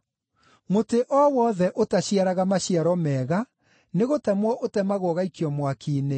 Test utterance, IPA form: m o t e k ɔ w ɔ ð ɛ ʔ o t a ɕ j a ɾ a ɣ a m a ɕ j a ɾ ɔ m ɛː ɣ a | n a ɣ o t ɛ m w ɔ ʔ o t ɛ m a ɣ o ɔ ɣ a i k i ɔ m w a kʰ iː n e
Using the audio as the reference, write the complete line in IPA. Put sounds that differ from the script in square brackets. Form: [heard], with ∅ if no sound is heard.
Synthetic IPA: m o t e [ʔ] ɔ w ɔ ð ɛ ʔ o t a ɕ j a ɾ a ɣ a m a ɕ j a ɾ ɔ m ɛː ɣ a | n [e] ɣ o t ɛ m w ɔ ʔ o t ɛ m a ɣ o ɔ ɣ a i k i ɔ m w a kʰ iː n e